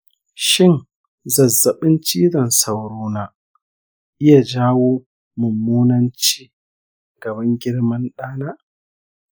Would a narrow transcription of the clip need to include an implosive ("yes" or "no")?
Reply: yes